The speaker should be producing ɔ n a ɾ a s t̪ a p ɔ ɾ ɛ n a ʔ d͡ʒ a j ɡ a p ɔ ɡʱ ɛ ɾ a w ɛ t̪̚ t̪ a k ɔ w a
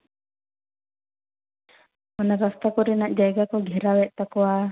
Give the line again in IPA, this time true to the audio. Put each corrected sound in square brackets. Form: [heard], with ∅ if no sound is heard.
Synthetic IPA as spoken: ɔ n a ɾ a s t̪ a [k] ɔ ɾ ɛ n a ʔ d͡ʒ a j ɡ a [k] ɔ ɡʱ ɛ ɾ a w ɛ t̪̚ t̪ a k ɔ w a